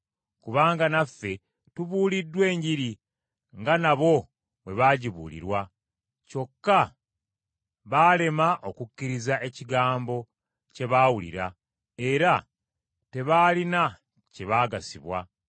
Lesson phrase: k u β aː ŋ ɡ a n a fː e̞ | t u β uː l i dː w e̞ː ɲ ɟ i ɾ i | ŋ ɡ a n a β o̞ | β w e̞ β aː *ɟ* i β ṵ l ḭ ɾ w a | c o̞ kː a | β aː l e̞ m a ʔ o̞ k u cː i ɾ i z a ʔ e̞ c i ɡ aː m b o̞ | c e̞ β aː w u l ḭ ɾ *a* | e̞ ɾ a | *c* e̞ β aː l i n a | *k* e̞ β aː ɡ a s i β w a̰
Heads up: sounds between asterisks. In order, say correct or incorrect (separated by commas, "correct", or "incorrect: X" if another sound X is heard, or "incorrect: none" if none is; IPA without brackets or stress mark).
correct, correct, incorrect: t, incorrect: c